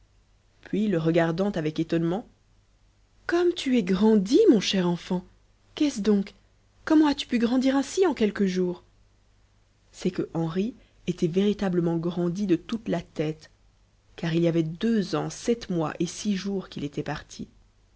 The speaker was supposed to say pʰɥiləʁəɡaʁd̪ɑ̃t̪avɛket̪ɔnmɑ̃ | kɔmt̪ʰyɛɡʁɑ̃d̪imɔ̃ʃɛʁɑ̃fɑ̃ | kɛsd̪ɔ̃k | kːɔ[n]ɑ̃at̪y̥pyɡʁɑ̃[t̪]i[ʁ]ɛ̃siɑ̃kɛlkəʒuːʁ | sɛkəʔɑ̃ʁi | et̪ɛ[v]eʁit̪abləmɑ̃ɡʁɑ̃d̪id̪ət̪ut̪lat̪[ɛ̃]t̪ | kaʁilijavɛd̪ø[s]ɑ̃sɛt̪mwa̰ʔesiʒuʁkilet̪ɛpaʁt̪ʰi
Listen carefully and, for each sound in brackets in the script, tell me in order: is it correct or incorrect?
incorrect: m, incorrect: d̪, correct, correct, incorrect: ɛ, incorrect: z

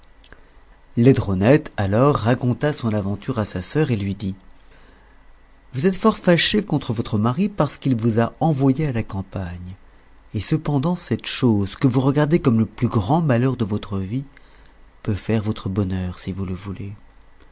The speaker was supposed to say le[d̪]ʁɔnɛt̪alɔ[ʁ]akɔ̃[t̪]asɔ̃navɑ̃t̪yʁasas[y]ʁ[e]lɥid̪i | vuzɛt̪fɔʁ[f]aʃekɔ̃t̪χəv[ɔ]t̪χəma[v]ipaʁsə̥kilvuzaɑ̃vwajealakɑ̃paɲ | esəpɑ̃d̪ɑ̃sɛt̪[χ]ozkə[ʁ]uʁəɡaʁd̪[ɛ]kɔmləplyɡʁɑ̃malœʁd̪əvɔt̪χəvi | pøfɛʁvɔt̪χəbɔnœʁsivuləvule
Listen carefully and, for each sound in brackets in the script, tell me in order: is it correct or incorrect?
correct, incorrect: ʁː, correct, incorrect: œ, correct, correct, correct, incorrect: ʁ, incorrect: ʃ, incorrect: v, incorrect: e

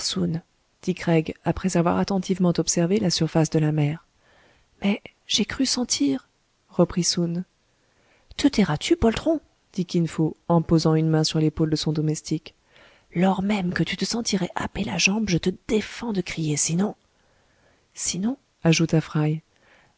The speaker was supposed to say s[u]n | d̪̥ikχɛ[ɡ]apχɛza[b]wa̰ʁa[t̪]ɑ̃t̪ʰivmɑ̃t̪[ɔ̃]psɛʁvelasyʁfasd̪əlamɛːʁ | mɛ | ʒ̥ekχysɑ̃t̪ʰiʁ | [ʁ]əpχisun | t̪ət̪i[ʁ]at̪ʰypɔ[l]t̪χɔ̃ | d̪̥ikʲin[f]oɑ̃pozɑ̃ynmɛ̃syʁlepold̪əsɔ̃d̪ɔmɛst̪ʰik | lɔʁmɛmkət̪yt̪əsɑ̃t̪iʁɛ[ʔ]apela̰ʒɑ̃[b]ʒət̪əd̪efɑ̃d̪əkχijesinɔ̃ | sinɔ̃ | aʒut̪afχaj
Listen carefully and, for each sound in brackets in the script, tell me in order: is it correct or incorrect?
correct, correct, incorrect: v, correct, incorrect: ɔ, correct, correct, correct, correct, correct, correct

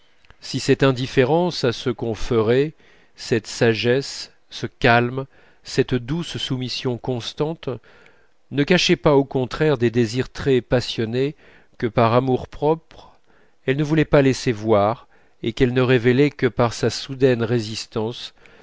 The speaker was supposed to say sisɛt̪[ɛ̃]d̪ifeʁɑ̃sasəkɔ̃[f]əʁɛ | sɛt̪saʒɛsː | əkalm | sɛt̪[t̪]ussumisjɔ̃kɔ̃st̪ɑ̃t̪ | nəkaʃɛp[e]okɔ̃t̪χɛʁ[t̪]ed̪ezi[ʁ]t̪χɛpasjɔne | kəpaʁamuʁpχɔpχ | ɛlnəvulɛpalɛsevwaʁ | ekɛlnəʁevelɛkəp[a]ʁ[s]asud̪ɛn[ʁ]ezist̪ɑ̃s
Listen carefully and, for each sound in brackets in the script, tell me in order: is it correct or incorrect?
correct, correct, incorrect: d̪, incorrect: a, incorrect: d̪, correct, correct, correct, correct

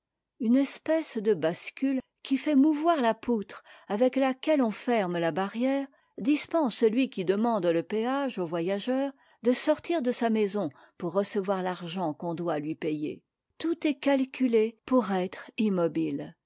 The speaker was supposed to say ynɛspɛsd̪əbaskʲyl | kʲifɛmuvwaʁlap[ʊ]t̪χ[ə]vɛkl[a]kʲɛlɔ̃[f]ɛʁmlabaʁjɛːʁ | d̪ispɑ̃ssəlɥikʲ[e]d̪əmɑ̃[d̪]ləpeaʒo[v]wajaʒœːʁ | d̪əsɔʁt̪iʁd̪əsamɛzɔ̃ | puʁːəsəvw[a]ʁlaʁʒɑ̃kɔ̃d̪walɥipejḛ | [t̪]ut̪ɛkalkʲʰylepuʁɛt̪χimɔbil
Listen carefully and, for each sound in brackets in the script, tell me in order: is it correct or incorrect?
incorrect: u, incorrect: a, correct, correct, incorrect: i, correct, correct, correct, correct

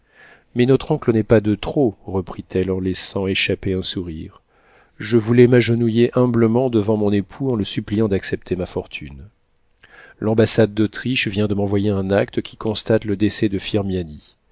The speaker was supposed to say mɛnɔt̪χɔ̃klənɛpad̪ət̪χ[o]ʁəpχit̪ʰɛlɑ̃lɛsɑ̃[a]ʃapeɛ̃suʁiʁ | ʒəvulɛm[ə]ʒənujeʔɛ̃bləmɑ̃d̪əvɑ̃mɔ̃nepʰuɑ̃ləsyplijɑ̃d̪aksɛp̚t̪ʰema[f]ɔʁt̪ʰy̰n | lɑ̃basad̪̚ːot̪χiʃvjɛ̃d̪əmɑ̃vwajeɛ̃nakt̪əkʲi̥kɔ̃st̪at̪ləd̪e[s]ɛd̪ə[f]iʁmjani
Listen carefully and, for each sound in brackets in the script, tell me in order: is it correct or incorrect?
correct, incorrect: e, incorrect: a, correct, correct, correct

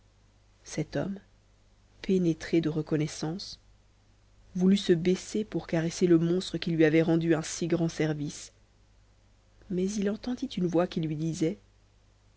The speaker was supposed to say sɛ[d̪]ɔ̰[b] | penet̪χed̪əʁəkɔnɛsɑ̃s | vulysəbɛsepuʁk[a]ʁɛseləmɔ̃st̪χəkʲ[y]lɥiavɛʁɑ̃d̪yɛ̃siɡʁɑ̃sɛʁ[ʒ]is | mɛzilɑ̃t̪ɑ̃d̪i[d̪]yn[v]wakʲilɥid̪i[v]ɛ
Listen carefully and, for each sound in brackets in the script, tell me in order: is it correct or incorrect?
incorrect: t̪, incorrect: m, correct, incorrect: i, incorrect: v, incorrect: t̪, correct, incorrect: z

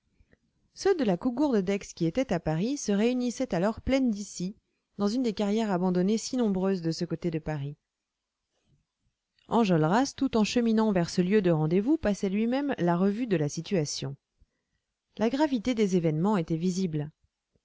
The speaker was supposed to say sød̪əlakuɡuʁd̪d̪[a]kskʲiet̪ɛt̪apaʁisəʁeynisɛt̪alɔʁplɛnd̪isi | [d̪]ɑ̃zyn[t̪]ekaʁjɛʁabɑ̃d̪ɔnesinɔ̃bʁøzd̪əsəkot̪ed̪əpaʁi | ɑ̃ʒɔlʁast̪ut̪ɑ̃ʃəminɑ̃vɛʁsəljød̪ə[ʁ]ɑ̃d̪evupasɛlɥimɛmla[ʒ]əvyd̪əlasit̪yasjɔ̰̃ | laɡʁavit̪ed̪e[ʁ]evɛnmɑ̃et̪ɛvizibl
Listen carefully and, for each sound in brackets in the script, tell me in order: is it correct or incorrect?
incorrect: ɛ, correct, incorrect: d̪, correct, incorrect: ʁ, incorrect: z

